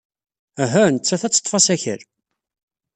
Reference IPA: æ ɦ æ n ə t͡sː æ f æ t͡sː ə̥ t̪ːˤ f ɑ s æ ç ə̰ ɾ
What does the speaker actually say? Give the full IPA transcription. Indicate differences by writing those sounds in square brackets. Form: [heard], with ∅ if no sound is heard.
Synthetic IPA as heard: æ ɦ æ n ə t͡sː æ [θ] æ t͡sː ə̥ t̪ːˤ f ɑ s æ ç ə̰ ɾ